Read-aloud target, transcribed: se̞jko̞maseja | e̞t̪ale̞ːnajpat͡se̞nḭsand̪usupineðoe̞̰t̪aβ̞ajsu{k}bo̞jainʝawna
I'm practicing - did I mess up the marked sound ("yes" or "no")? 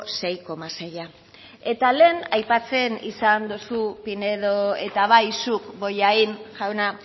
no